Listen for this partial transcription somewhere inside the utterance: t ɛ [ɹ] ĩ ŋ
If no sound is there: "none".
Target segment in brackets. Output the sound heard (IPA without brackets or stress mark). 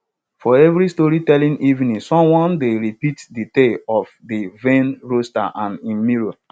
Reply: l